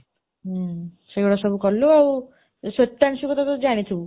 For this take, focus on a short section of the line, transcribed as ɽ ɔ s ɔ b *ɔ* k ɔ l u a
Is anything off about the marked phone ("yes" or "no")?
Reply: yes